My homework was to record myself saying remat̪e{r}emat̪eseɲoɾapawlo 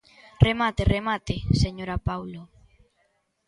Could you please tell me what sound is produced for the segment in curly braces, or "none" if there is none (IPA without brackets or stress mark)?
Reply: r